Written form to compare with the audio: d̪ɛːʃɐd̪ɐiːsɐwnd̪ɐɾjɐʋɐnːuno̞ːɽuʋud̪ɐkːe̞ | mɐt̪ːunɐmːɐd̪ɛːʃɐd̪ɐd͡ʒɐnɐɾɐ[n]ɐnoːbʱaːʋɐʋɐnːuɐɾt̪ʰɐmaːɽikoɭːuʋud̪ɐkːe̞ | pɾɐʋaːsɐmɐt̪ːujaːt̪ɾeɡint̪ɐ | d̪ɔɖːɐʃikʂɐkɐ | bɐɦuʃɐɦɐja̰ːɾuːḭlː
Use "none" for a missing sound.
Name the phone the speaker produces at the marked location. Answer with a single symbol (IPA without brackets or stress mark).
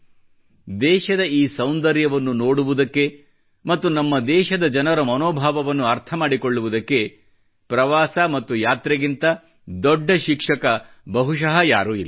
m